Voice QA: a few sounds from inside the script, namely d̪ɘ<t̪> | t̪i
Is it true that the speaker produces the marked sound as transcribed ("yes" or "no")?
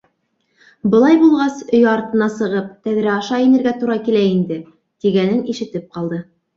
no